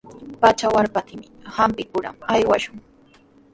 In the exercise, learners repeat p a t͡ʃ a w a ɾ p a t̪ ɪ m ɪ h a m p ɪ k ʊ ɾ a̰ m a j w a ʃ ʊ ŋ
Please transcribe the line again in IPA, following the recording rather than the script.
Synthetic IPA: p a t͡ʃ a w a ɾ p a t̪ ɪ m ɪ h a m p ɪ k ʊ ɾ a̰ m a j w a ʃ ʊ ŋ